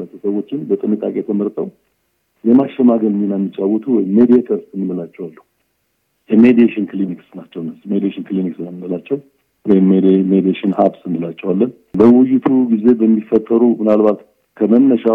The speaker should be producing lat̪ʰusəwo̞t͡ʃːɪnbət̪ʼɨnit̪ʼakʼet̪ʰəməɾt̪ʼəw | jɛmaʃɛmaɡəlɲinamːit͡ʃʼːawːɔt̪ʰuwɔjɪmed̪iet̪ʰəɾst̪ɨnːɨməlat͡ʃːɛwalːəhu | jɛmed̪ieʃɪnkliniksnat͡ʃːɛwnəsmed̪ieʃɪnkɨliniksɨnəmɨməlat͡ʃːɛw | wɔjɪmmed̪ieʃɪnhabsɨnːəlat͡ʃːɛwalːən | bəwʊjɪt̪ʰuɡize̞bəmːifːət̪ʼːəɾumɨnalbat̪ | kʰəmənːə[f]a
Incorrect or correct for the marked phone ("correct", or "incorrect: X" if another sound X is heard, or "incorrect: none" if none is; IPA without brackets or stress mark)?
incorrect: ʃ